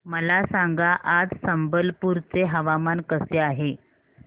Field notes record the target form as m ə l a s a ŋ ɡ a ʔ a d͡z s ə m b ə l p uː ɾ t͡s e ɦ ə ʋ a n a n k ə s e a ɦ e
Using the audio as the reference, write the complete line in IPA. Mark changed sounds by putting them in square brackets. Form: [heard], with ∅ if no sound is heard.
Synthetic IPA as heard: m ə l a s a ŋ ɡ a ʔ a d͡z s ə m b ə l p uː ɾ t͡s e ɦ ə ʋ a [m] a n k ə s e a ɦ e